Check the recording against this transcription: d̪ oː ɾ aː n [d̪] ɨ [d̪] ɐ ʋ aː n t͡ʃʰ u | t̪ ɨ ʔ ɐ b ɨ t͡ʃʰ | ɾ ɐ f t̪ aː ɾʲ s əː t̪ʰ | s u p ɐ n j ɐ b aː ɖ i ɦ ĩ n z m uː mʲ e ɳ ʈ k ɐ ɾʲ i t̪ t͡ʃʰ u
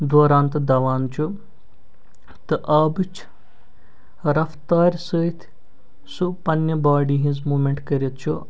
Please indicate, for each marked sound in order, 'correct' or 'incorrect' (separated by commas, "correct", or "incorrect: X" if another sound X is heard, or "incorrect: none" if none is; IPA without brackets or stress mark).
incorrect: t̪, correct